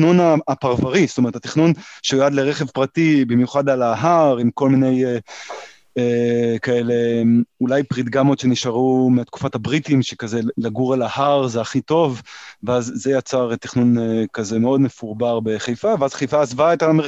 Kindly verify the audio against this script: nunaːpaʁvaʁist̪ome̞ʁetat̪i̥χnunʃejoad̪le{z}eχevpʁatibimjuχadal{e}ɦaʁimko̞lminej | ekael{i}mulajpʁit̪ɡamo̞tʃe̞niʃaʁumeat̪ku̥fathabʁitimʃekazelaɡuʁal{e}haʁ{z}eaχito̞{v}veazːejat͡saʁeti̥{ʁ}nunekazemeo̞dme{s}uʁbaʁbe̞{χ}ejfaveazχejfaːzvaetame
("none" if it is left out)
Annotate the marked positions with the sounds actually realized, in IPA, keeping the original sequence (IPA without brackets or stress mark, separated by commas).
ʁ, a, e, a, z, v, χ, f, χ